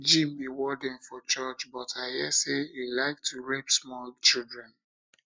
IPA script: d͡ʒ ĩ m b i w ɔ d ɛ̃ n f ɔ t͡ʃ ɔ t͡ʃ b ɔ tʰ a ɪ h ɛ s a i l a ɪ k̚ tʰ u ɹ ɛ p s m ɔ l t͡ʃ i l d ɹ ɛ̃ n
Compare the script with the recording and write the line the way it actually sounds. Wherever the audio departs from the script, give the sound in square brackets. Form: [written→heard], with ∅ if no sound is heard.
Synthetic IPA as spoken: d͡ʒ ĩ m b i w ɔ d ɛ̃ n f ɔ t͡ʃ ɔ t͡ʃ b ɔ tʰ a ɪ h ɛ s [a→e] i l a ɪ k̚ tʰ u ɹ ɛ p s m ɔ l t͡ʃ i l d ɹ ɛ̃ n